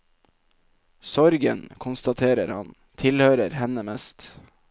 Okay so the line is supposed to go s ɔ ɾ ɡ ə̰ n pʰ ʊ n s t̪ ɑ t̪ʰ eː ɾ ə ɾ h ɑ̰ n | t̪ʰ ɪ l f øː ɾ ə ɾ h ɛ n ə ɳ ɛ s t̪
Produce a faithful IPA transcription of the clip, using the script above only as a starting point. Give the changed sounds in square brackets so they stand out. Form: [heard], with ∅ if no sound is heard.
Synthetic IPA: s ɔ ɾ ɡ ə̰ n [kʰ] ʊ n s t̪ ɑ t̪ʰ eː ɾ ə ɾ h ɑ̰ n | t̪ʰ ɪ l [h] øː ɾ ə ɾ h ɛ n ə [m] ɛ s t̪